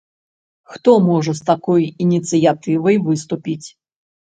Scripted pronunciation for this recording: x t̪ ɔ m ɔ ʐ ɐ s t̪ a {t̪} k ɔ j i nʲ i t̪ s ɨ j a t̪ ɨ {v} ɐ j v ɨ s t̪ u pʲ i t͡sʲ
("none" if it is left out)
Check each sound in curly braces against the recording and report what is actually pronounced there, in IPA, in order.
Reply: none, v

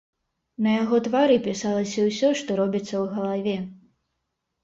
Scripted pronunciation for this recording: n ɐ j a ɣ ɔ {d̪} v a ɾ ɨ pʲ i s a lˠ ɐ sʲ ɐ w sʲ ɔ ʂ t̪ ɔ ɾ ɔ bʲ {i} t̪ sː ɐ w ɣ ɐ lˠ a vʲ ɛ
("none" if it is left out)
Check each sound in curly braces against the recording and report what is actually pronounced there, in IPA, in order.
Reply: t̪, i

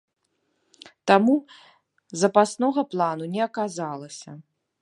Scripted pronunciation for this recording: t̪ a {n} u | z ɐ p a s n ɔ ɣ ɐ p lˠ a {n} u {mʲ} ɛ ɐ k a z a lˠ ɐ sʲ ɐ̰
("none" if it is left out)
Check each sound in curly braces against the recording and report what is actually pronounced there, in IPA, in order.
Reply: m, n, nʲ

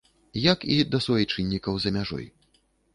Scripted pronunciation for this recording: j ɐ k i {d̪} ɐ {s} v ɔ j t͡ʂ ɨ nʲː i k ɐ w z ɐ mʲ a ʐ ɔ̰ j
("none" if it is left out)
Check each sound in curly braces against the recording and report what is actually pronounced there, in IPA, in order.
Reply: d̪, s

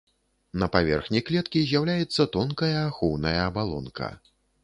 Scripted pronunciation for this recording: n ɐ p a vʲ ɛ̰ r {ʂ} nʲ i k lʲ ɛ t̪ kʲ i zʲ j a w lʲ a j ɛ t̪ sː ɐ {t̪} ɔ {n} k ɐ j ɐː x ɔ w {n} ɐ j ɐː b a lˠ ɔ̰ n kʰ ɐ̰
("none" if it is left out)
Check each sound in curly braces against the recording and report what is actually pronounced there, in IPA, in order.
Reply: x, t̪, n, n

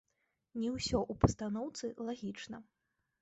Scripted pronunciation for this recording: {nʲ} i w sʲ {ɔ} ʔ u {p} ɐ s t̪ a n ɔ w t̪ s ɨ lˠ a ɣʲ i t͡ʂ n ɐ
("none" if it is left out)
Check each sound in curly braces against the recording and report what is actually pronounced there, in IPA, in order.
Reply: nʲ, ɔ, p

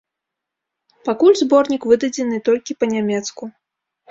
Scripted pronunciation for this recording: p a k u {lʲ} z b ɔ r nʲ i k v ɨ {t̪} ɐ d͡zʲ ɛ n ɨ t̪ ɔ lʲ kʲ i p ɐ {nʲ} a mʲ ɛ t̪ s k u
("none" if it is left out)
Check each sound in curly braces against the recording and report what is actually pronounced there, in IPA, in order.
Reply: lʲ, d̪, nʲ

